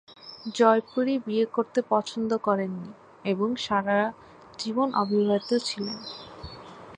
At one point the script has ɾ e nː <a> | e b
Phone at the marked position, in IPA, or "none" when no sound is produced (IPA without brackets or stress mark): i